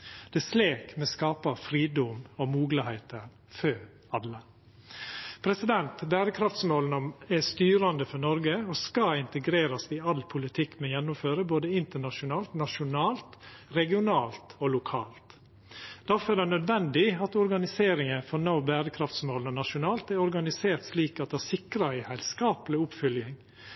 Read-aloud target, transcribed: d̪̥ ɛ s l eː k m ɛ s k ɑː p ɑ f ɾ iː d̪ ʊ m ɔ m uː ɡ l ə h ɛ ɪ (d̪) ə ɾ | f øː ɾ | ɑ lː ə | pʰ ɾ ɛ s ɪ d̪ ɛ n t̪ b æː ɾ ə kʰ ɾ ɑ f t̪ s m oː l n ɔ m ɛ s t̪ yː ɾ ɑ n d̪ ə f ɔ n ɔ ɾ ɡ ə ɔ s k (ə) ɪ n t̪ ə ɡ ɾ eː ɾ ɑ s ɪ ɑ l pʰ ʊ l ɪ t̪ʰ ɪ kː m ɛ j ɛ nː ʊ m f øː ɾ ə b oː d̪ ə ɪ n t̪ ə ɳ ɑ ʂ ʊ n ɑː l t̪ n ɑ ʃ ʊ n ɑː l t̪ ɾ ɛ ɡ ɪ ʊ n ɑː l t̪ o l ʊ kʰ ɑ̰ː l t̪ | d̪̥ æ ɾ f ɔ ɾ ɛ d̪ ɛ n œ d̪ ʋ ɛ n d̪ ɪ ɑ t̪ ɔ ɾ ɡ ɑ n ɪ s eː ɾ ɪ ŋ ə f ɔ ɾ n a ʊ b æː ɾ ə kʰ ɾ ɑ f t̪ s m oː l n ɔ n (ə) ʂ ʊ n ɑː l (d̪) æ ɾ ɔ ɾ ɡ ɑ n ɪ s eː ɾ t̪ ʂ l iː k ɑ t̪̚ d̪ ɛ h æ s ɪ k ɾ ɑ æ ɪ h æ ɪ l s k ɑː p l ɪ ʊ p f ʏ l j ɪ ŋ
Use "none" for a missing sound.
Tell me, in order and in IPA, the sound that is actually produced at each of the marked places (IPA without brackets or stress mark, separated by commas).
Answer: t̪, ɑ, ɑ, t̪